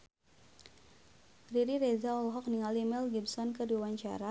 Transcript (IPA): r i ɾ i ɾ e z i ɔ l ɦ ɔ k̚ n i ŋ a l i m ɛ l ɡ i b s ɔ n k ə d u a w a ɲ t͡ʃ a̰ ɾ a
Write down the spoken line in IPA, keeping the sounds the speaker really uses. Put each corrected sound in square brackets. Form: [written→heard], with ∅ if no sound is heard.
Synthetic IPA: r i ɾ i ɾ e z [i→a] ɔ l ɦ ɔ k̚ n i ŋ a l i m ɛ l ɡ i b s ɔ n k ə d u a w a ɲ t͡ʃ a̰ ɾ a

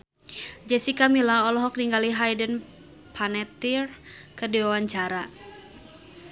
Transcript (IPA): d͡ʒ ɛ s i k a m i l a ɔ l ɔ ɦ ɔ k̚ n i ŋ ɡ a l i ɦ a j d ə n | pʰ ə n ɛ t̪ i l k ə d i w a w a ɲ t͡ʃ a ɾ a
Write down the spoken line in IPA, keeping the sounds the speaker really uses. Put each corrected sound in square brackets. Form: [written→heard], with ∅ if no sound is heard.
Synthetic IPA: d͡ʒ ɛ s i k a m i l a ɔ l ɔ ɦ ɔ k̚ n i ŋ ɡ a l i ɦ a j d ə n | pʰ [ə→a] n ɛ t̪ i [l→r] k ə d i w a w a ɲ t͡ʃ a ɾ a

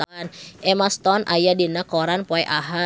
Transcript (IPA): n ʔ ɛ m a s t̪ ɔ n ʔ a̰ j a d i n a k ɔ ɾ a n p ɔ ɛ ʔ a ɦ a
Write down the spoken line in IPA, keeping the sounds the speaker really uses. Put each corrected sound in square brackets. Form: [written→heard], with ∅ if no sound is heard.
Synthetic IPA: n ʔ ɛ m a s t̪ ɔ n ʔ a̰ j a d i n a k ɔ ɾ a n p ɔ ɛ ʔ a ɦ a

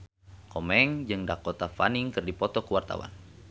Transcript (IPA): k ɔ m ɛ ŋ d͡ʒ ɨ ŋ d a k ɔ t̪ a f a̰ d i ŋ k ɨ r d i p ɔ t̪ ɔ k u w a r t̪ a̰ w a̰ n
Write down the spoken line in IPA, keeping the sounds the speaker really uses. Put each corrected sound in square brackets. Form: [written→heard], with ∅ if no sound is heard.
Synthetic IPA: k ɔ m ɛ ŋ d͡ʒ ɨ ŋ d a k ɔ t̪ a f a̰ [d→n] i ŋ k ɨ r d i p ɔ t̪ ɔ k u w a r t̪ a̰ w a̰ n

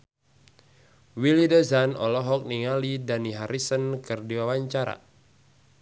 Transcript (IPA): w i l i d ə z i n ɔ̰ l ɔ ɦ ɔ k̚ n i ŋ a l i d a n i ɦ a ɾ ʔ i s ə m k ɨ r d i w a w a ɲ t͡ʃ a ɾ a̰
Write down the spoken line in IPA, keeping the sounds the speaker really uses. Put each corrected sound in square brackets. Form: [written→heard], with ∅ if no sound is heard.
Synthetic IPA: w i l i d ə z [i→a] n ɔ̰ l ɔ ɦ ɔ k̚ n i ŋ a l i d a n i ɦ a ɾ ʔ i s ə [m→n] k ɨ r d i w a w a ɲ t͡ʃ a ɾ a̰

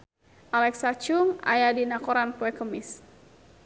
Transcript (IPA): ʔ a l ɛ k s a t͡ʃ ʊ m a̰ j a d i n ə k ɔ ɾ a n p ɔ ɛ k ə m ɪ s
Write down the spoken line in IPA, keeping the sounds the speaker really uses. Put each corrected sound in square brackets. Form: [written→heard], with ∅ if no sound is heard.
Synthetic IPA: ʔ a l ɛ k s a t͡ʃ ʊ [m→ŋ] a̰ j a d i n [ə→a] k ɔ ɾ a n p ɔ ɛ k ə m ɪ s

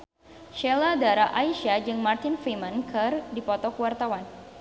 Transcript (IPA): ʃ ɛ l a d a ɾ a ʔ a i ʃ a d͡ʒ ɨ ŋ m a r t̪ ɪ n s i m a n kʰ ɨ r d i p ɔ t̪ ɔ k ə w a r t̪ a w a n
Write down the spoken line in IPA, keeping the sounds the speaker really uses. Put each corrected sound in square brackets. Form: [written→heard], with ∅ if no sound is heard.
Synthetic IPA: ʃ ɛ l a d a ɾ a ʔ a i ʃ a d͡ʒ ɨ ŋ m a r t̪ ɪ n [s→f] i m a n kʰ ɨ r d i p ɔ t̪ ɔ k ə w a r t̪ a w a n

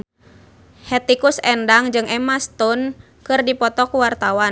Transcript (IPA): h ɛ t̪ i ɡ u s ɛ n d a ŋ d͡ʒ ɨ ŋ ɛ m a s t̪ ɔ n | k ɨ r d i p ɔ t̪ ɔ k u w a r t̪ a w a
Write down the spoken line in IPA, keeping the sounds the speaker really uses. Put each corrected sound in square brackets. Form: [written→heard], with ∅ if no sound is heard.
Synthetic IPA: h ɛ t̪ i [ɡ→k] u s ɛ n d a ŋ d͡ʒ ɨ ŋ ɛ m a s t̪ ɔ n | k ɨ r d i p ɔ t̪ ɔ k u w a r t̪ a w a

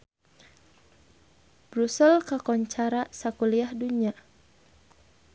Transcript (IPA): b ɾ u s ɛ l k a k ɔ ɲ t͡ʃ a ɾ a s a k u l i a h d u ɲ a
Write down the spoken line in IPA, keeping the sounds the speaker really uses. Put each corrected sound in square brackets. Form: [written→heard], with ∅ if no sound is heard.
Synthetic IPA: b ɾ u s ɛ l k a k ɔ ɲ t͡ʃ a ɾ a s a k u l i a h d u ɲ a

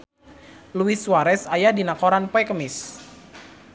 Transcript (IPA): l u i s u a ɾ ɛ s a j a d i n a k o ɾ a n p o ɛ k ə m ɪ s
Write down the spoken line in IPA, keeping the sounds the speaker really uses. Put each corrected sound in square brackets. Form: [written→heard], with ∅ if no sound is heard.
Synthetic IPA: l u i s [u→w] a ɾ ɛ s a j a d i n a k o ɾ a n p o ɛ k ə m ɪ s

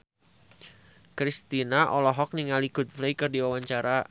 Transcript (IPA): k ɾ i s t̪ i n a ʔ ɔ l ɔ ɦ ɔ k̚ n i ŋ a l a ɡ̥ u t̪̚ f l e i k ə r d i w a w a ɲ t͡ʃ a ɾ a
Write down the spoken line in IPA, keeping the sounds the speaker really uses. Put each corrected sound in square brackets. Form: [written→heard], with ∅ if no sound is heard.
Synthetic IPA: k ɾ i s t̪ i n a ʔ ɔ l ɔ ɦ ɔ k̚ n i ŋ a l [a→i] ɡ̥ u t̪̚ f l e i k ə r d i w a w a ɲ t͡ʃ a ɾ a

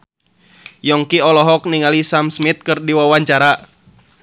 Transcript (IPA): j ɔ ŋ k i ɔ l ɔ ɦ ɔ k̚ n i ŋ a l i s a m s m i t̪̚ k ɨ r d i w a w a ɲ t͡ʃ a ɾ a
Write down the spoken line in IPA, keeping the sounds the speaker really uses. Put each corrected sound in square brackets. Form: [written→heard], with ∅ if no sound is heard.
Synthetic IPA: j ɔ ŋ k i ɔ l ɔ ɦ ɔ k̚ n i ŋ a l i s a m s m i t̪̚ k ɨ r d i w a w a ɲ t͡ʃ a ɾ a

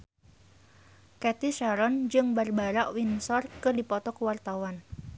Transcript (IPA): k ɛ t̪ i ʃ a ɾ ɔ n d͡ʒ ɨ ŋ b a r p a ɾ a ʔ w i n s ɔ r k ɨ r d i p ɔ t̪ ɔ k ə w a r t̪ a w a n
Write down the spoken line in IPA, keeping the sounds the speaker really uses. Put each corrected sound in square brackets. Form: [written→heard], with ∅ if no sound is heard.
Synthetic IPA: k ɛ t̪ i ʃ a ɾ ɔ n d͡ʒ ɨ ŋ b a r [p→b] a ɾ a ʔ w i n s ɔ r k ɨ r d i p ɔ t̪ ɔ k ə w a r t̪ a w a n

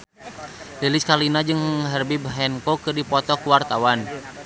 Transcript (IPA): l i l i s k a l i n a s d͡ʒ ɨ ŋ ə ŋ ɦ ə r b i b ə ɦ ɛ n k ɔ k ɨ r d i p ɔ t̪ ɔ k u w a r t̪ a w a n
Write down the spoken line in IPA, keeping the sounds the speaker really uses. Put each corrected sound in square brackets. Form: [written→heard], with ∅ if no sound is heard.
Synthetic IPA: l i l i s k a l i n a [s→∅] d͡ʒ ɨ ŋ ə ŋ ɦ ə r b i b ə ɦ ɛ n k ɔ k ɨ r d i p ɔ t̪ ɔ k u w a r t̪ a w a n

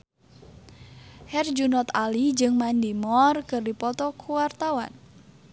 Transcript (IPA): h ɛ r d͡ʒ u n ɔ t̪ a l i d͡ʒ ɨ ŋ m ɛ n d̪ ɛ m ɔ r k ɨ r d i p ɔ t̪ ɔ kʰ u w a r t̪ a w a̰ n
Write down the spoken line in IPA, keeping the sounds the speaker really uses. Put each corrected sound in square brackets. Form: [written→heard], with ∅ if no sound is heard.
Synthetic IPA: h ɛ r d͡ʒ u n ɔ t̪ a l i d͡ʒ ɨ ŋ m [ɛ→a] n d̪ [ɛ→i] m ɔ r k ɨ r d i p ɔ t̪ ɔ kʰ u w a r t̪ a w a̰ n

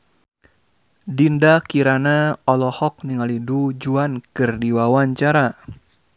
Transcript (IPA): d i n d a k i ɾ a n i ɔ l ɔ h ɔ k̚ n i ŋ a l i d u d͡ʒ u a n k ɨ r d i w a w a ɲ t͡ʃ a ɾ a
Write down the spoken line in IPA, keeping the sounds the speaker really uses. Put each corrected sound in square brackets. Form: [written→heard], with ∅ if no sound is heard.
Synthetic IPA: d i n d a k i ɾ a n [i→a] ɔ l ɔ h ɔ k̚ n i ŋ a l i d u d͡ʒ u a n k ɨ r d i w a w a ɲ t͡ʃ a ɾ a

